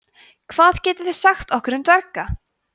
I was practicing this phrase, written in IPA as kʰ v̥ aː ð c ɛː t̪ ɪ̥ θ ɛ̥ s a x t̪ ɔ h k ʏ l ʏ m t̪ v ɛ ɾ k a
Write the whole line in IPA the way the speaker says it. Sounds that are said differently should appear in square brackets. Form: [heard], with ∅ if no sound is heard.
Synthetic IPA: kʰ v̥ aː ð c ɛː t̪ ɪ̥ θ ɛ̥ s a x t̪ ɔ h k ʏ [ɾ] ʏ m t̪ v ɛ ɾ k a